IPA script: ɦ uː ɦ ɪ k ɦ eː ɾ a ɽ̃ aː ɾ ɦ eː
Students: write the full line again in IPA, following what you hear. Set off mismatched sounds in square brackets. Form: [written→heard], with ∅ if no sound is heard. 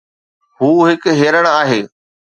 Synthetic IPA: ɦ uː ɦ ɪ k ɦ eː ɾ [a→ə] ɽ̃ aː [ɾ→∅] ɦ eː